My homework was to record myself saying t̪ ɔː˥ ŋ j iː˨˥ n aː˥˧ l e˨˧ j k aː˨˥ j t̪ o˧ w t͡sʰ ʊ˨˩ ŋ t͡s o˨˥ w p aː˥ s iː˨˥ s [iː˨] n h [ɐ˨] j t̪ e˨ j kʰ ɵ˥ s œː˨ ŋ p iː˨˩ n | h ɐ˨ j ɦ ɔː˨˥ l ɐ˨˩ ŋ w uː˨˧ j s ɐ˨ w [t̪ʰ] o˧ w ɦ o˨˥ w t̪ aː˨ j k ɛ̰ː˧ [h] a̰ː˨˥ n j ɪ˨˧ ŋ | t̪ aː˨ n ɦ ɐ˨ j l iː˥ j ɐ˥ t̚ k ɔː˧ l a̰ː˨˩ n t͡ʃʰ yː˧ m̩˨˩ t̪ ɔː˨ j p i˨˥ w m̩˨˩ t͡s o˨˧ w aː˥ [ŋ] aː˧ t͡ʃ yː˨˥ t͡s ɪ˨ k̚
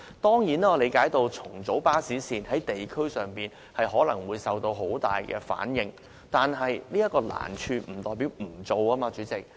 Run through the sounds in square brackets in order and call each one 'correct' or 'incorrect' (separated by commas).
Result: correct, incorrect, incorrect, incorrect, incorrect